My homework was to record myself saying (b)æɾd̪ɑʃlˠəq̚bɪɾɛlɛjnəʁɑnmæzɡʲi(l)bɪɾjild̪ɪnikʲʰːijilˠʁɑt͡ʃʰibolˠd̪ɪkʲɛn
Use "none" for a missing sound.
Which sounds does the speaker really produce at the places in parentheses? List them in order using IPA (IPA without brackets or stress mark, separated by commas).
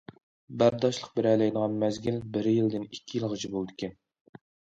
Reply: b, l